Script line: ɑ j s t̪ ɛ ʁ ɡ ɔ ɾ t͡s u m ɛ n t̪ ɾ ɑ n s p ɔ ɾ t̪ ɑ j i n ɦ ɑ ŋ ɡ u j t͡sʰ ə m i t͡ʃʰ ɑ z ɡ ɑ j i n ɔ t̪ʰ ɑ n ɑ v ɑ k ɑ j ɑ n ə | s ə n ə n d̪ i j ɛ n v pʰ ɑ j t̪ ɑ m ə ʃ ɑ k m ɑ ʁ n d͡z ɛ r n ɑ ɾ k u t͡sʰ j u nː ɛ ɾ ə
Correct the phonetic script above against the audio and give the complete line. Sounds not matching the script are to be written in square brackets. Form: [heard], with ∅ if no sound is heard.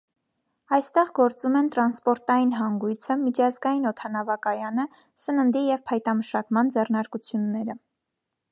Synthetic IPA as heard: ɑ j s t̪ ɛ ʁ ɡ ɔ ɾ t͡s u m ɛ n t̪ ɾ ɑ n s p ɔ ɾ t̪ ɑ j i n ɦ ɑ ŋ ɡ u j t͡sʰ ə m i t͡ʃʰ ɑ z ɡ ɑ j i n ɔ t̪ʰ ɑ n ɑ v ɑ k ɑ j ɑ n ə | s ə n ə n d̪ i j ɛ [∅] v pʰ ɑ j t̪ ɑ m ə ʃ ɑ k m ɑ [∅] n d͡z ɛ r n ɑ ɾ k u t͡sʰ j u nː ɛ ɾ ə